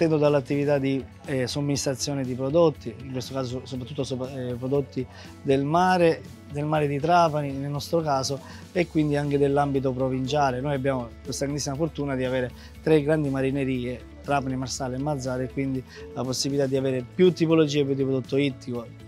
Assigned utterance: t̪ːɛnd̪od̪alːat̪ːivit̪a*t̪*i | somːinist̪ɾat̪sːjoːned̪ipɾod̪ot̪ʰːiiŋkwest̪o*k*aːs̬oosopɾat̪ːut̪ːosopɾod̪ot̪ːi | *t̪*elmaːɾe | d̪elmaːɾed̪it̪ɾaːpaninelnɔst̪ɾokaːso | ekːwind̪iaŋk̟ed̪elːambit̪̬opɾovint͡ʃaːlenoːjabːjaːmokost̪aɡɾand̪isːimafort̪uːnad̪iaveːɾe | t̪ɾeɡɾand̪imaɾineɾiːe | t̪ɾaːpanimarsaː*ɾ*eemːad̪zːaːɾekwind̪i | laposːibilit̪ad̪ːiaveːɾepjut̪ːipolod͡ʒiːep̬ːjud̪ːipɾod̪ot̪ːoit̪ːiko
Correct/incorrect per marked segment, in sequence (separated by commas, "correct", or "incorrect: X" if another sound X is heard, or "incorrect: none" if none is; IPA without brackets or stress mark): incorrect: d̪, correct, incorrect: d̪, incorrect: l